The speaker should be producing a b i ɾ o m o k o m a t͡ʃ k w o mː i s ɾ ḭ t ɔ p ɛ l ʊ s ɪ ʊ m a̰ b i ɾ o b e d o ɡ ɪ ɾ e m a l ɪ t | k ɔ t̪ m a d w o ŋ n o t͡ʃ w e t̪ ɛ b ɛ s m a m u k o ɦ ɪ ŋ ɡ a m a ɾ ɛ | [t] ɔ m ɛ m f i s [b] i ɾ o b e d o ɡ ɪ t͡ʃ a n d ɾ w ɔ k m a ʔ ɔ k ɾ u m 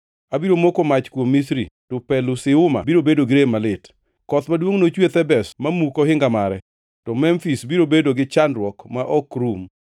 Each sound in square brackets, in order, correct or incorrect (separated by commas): correct, correct